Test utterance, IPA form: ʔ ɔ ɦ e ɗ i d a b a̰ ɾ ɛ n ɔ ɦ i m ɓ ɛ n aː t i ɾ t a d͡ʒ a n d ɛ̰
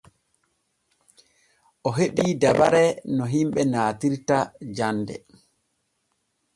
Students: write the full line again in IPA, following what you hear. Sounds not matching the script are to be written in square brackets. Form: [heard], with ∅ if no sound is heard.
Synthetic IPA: ʔ ɔ ɦ e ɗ i d a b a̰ ɾ ɛ n ɔ ɦ i m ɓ ɛ n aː t i ɾ t a d͡ʒ a n d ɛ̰